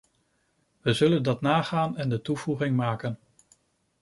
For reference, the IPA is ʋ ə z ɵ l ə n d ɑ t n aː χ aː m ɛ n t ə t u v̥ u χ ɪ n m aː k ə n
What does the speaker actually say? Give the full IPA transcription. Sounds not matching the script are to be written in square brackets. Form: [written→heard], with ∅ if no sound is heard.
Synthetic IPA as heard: ʋ ə z ɵ l ə n d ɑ t n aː χ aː [m→n] ɛ n [t→d] ə t u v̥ u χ ɪ [n→ŋ] m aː k ə n